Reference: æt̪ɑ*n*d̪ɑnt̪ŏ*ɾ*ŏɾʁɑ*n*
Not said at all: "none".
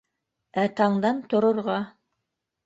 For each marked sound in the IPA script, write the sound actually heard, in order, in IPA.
ɴ, ɾ, none

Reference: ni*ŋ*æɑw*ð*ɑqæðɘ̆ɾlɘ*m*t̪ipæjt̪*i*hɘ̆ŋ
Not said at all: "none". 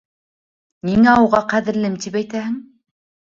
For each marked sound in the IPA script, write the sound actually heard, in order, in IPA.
ŋ, ʁ, m, æ

